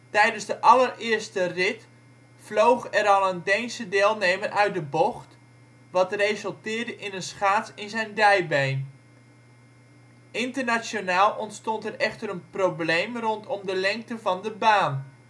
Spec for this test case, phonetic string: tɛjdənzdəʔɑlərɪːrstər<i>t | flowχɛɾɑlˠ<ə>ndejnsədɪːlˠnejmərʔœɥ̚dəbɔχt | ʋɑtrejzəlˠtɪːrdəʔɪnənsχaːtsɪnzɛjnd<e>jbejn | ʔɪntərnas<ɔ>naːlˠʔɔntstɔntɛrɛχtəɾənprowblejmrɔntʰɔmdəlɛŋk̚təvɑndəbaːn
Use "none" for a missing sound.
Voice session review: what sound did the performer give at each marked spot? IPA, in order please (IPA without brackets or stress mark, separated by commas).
ɪ, ə, ɛ, o